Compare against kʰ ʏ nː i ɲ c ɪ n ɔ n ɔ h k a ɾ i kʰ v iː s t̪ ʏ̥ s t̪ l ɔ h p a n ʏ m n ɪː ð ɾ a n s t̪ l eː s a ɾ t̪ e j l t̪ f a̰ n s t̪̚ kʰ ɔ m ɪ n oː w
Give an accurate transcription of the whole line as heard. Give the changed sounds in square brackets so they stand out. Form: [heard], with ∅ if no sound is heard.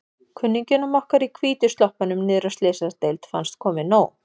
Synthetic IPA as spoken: kʰ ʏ nː i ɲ c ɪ n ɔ [m] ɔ h k a ɾ i kʰ v iː [∅] t̪ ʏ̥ s t̪ l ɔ h p a n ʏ m n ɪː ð ɾ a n s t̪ l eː s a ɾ t̪ e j l t̪ f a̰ n s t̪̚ kʰ [ɔː] m ɪ n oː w

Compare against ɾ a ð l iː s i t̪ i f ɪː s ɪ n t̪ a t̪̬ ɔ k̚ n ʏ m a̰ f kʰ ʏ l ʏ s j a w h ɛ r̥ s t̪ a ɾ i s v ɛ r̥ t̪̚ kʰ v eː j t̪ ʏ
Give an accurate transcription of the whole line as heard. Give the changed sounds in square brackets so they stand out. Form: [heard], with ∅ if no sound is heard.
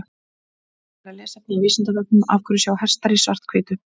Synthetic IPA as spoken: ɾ a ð l [ɛː] s [a] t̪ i [v] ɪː s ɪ n t̪ a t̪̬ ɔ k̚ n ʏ m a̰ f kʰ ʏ [ɾ] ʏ s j a w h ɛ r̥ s t̪ a ɾ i s v [a] r̥ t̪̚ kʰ v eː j t̪ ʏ

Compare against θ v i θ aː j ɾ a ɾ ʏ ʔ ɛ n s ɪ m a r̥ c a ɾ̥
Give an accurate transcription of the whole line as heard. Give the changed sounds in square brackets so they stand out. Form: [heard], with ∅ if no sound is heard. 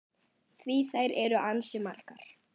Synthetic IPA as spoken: θ v i θ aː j ɾ [ɛ] ɾ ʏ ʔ [a] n s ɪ m a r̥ [k] a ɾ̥

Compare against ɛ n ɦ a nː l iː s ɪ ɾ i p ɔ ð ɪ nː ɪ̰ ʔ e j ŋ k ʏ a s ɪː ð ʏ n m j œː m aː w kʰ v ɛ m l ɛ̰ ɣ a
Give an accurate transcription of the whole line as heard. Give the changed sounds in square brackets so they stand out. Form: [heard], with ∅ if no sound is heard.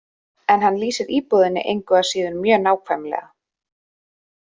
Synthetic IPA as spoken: ɛ n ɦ a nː l iː s ɪ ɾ [iː] p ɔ ð ɪ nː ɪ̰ ʔ e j ŋ k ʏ a s [iː] ð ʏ n m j œː [n] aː w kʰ v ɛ m l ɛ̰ ɣ a

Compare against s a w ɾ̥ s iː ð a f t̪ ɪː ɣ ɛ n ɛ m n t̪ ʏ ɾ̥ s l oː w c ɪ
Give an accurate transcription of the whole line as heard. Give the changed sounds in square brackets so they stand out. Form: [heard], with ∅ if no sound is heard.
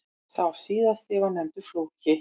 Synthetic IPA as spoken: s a w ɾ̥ s iː ð a [s] t̪ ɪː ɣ [a] n ɛ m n t̪ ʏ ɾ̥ [f] l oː w c ɪ

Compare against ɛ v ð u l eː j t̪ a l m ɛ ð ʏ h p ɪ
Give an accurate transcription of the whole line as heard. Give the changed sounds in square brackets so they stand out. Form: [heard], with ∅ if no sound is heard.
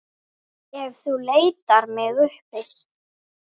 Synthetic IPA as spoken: ɛ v [θ] u l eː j t̪ a [ɾ] m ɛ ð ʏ h p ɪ

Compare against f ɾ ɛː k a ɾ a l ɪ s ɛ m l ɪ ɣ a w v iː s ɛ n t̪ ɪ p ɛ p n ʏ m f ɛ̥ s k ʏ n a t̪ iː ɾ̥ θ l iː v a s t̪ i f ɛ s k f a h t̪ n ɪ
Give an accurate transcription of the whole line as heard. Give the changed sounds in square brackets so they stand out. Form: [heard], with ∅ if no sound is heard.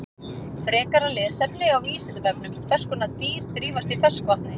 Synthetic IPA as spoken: f ɾ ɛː k a ɾ a l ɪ s ɛ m l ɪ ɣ a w v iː s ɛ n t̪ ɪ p ɛ p n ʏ m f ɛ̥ s k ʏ n a t̪ iː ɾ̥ θ [ɾ] iː v a s t̪ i f ɛ s k [v] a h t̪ n ɪ

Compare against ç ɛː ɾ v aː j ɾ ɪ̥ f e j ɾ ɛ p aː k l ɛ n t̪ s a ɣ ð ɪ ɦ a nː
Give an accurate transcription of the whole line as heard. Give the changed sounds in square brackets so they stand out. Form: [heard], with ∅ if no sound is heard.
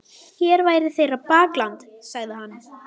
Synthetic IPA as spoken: ç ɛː ɾ v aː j ɾ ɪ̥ [θ] e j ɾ [a] p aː k l [a] n t̪ s a ɣ ð ɪ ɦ a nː

